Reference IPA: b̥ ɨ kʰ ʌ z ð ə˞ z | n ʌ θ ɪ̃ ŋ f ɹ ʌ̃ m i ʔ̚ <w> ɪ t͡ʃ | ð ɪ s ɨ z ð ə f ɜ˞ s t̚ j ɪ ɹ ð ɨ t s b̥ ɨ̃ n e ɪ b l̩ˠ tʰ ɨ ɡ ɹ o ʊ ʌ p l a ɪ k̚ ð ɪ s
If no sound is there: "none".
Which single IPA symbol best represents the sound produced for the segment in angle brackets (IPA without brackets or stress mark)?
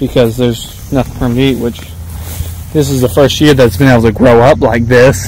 w